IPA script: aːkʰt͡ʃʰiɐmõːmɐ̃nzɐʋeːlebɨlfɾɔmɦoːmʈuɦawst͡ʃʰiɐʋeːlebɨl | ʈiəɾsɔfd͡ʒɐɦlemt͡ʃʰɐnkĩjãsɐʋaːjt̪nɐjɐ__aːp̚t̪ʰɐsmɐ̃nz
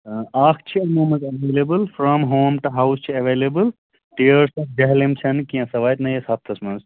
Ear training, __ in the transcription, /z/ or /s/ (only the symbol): s